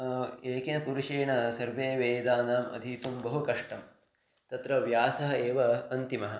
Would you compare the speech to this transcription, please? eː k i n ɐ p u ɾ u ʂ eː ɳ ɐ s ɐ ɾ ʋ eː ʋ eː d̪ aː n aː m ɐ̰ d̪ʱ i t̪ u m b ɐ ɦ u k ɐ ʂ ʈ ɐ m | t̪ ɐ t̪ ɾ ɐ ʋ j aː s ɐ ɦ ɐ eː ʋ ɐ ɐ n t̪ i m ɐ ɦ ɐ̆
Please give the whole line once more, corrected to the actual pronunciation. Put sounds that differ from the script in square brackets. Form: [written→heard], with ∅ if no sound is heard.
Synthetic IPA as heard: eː k i n ɐ p u ɾ u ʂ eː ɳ ɐ s ɐ ɾ ʋ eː ʋ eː d̪ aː n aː m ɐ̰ d̪ʱ i t̪ u m b ɐ ɦ u k ɐ ʂ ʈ ɐ m | t̪ ɐ t̪ ɾ ɐ ʋ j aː s ɐ ɦ ɐ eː ʋ ɐ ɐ n t̪ i m ɐ ɦ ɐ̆